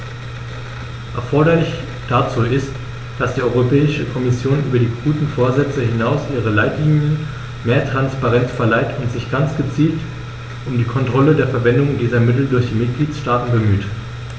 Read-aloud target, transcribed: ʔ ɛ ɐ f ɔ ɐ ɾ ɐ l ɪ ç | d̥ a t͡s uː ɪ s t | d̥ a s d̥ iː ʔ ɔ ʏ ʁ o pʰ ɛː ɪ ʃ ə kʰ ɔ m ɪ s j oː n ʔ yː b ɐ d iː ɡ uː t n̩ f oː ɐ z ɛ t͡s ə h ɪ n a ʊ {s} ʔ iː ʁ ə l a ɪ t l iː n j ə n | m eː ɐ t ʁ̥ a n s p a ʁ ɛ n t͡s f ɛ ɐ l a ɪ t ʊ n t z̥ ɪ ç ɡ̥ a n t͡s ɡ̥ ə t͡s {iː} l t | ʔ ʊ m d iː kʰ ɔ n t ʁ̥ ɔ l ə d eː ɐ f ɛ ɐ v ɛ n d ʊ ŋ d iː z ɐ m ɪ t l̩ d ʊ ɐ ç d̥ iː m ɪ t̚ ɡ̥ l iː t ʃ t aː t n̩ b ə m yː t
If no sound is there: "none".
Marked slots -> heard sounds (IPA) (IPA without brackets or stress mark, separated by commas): s, iː